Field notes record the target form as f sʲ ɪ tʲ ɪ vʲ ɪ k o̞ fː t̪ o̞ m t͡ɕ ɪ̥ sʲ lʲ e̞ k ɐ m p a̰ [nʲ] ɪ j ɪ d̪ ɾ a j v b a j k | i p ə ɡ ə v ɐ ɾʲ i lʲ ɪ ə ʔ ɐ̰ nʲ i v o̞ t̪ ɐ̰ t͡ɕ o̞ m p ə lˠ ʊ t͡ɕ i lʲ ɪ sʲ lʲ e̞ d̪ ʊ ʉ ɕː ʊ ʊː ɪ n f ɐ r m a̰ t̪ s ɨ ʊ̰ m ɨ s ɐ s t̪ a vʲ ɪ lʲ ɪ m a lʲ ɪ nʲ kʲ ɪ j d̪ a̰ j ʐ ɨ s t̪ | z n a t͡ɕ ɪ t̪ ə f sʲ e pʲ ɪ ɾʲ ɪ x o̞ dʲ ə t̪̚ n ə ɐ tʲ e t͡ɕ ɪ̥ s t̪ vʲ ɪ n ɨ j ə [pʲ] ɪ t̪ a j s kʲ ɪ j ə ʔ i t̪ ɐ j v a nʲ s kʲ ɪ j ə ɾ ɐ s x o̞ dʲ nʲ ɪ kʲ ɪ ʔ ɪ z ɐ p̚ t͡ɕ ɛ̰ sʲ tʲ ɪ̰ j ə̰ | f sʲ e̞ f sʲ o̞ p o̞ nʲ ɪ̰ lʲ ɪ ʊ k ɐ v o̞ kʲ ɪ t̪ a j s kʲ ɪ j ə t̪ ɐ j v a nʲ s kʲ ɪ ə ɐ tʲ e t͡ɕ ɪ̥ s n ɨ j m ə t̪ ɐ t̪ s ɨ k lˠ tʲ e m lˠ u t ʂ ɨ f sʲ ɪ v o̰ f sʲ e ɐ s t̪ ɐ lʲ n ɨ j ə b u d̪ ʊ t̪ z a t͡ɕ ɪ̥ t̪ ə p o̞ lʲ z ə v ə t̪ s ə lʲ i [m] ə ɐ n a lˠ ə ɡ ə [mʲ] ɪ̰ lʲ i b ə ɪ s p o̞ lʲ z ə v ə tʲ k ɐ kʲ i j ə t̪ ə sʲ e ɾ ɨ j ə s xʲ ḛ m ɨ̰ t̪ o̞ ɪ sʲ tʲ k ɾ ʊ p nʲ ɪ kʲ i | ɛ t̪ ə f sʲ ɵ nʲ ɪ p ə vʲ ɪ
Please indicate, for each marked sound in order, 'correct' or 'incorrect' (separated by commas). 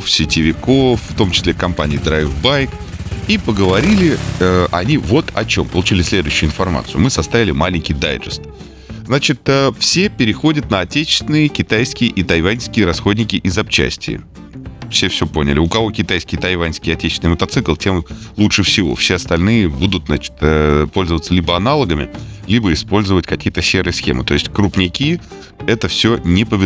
correct, incorrect, incorrect, correct